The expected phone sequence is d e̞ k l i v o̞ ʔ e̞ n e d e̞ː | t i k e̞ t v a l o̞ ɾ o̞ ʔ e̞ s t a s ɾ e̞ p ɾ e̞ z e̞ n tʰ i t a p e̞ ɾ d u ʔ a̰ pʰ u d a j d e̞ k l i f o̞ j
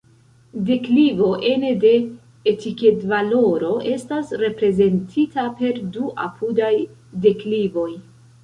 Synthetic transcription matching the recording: d e̞ k l i v o̞ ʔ e̞ n e d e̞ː | t i k e̞ t v a l o̞ ɾ o̞ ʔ e̞ s t a s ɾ e̞ p ɾ e̞ z e̞ n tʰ i t a p e̞ ɾ d u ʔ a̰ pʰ u d a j d e̞ k l i v o̞ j